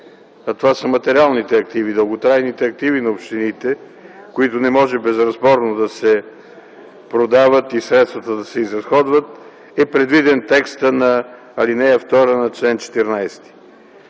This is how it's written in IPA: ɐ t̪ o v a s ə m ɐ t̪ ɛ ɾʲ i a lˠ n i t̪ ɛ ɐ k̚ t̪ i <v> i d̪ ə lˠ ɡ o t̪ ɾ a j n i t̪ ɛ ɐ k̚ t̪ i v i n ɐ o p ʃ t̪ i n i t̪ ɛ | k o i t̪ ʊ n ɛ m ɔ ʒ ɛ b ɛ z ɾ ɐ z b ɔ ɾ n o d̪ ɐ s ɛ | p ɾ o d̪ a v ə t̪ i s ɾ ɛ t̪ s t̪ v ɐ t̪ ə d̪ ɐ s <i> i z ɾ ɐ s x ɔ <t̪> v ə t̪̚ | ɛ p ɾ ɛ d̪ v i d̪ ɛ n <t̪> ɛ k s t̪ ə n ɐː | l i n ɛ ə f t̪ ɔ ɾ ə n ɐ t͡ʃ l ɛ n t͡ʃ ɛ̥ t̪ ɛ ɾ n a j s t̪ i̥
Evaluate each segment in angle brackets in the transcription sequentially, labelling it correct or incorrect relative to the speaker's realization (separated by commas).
correct, incorrect, incorrect, correct